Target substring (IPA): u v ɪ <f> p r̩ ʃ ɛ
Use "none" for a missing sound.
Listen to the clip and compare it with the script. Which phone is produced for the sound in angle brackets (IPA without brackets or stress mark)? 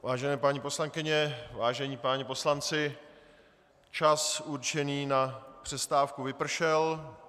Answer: none